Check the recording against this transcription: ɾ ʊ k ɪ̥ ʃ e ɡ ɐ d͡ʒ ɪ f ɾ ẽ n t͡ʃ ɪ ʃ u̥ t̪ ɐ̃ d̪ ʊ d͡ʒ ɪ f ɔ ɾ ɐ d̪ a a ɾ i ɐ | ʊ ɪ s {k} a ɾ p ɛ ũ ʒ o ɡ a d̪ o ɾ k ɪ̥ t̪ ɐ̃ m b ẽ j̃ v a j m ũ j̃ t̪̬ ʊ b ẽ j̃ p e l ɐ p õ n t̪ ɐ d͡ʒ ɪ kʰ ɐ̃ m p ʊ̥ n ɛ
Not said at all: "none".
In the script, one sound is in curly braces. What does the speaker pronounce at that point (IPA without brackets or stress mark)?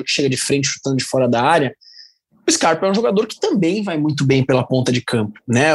k